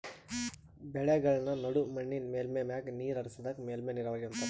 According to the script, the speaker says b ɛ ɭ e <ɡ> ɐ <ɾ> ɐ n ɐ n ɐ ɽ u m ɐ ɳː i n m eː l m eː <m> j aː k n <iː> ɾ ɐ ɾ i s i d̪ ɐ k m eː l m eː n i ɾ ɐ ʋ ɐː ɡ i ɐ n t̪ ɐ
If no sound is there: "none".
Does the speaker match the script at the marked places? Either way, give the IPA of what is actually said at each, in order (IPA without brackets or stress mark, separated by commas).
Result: ɡ, ɭ, m, iː